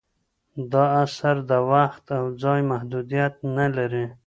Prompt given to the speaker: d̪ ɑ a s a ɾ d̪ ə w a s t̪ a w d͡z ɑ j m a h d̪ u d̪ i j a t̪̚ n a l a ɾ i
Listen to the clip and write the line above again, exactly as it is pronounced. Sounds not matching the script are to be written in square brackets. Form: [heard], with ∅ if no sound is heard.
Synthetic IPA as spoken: d̪ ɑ a s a ɾ d̪ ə w a [x] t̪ a w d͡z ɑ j m a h d̪ u d̪ i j a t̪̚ n a l a ɾ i